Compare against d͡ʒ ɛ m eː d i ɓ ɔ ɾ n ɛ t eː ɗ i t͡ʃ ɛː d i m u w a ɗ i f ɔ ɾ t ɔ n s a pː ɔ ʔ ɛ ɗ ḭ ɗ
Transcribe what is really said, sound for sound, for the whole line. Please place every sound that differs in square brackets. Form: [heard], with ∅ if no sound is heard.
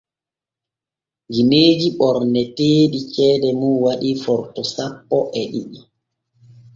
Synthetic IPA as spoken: d͡ʒ [i] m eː [d͡ʒ] i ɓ ɔ ɾ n ɛ t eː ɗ i t͡ʃ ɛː d [ɛ] m u w a ɗ i f ɔ ɾ t ɔ [∅] s a pː ɔ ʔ ɛ ɗ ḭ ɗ